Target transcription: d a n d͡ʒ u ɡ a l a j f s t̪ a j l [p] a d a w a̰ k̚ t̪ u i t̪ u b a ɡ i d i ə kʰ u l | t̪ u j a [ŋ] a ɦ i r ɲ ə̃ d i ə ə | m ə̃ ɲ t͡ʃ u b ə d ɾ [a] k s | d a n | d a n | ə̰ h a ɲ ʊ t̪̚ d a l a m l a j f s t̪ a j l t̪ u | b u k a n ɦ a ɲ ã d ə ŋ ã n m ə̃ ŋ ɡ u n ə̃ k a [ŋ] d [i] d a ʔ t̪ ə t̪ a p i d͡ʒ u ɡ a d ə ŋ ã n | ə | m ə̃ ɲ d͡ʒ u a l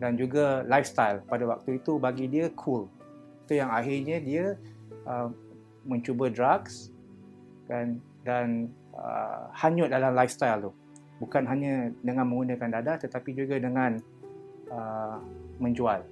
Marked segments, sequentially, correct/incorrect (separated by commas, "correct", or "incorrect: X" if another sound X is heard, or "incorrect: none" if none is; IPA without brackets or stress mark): correct, correct, correct, incorrect: n, incorrect: a